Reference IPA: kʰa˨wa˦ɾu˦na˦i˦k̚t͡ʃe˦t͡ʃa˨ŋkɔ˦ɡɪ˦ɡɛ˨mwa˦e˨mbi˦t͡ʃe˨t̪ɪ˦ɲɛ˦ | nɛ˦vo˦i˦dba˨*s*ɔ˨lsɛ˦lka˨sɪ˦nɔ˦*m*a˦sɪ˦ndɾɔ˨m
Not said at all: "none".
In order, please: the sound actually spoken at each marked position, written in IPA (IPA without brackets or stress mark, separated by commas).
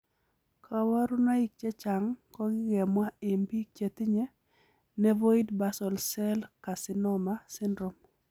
s, m